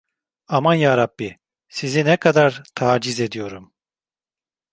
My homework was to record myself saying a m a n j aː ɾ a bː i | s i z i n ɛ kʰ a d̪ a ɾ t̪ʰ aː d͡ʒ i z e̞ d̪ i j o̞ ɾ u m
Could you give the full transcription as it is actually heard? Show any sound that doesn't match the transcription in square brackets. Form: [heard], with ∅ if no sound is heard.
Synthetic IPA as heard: a m a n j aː ɾ a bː i | s i z i n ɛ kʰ a d̪ a ɾ t̪ʰ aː d͡ʒ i z e̞ d̪ i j o̞ ɾ u m